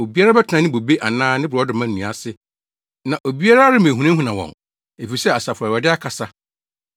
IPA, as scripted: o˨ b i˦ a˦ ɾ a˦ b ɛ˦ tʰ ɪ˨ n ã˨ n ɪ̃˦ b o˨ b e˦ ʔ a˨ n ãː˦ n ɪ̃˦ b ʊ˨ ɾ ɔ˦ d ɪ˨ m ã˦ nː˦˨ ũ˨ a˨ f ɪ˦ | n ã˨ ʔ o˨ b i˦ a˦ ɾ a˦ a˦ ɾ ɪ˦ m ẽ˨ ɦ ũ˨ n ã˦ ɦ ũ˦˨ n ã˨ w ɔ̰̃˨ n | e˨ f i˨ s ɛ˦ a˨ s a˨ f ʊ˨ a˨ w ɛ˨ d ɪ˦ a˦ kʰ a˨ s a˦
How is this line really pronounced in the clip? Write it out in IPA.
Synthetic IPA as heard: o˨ b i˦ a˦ ɾ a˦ b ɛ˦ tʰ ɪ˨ n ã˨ n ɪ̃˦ b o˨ b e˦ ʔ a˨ n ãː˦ n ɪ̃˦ b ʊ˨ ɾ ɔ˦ d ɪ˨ m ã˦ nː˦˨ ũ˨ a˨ s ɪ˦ | n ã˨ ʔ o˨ b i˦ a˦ ɾ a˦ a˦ ɾ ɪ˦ m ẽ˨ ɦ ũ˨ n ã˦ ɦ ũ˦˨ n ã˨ w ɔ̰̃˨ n | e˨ f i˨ s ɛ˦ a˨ s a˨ f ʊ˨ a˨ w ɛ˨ d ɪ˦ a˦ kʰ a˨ s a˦